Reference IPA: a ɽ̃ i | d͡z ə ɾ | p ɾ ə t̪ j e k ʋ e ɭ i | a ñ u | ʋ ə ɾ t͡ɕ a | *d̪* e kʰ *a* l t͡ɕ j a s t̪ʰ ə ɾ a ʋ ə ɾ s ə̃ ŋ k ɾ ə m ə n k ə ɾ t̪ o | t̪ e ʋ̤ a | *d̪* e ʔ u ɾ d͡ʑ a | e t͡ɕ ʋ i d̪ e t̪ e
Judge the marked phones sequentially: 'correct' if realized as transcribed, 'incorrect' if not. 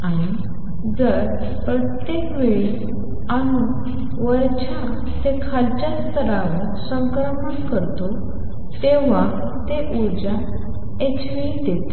incorrect: t̪, correct, incorrect: t̪

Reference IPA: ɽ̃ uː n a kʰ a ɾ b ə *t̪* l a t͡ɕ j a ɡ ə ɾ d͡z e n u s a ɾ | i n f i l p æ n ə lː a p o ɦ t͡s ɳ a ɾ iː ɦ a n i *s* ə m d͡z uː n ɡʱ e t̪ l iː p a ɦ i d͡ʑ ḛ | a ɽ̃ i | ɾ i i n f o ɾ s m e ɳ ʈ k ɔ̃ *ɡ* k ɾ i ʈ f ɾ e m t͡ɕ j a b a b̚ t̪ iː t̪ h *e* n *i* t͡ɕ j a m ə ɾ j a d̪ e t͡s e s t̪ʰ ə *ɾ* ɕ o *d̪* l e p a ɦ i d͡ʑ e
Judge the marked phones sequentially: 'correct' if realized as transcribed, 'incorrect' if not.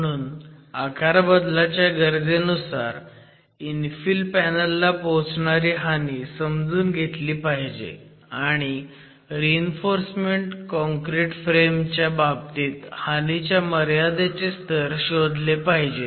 incorrect: d̪, correct, incorrect: ŋ, incorrect: a, correct, correct, correct

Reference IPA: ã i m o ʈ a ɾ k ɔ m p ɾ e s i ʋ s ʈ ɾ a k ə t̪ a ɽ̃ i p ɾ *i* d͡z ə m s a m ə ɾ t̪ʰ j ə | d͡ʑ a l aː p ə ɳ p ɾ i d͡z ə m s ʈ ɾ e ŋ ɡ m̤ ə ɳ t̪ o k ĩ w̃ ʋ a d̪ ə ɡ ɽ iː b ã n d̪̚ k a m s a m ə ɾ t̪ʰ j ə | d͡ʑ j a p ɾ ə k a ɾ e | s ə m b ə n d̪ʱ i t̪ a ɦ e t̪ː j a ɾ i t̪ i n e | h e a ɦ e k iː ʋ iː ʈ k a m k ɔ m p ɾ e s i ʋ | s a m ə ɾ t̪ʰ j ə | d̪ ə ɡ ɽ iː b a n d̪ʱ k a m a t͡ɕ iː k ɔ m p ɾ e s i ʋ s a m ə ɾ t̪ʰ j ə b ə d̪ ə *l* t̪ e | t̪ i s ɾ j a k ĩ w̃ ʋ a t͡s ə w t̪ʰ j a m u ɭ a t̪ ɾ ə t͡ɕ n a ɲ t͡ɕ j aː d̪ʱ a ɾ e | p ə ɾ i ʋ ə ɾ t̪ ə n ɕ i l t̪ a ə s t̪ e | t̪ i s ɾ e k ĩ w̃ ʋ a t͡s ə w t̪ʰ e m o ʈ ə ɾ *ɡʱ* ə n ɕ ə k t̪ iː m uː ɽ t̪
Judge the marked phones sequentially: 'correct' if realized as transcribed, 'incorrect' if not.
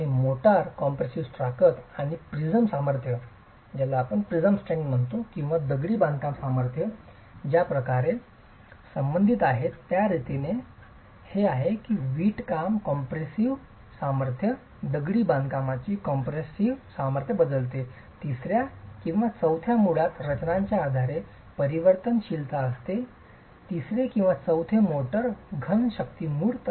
correct, correct, correct

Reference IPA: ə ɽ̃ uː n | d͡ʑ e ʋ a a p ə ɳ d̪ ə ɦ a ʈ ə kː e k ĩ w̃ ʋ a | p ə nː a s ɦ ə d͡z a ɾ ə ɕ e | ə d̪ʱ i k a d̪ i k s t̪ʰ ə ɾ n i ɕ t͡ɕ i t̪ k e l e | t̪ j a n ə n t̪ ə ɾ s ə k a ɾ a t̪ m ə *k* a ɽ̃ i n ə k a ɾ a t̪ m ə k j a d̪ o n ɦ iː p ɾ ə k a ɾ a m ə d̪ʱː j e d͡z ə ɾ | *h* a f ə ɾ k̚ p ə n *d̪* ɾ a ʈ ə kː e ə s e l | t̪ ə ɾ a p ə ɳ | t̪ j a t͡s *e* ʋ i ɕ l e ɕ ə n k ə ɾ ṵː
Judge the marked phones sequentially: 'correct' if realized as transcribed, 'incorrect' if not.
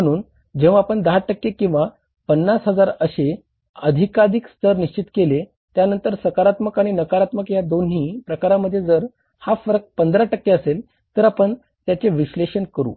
correct, correct, correct, correct

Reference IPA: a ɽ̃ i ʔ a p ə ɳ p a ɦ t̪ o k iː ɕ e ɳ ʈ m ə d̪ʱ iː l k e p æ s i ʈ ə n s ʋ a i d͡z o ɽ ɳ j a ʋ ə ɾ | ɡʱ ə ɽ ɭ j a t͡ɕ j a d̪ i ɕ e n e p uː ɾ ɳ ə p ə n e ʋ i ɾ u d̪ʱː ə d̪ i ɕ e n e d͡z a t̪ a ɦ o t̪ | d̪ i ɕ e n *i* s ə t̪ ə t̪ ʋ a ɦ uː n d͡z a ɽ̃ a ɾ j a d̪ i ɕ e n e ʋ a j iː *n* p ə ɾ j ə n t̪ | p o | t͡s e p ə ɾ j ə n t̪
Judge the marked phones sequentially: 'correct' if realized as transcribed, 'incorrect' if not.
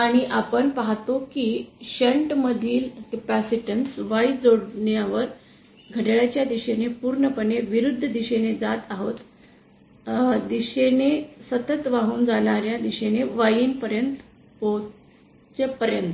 incorrect: e, correct

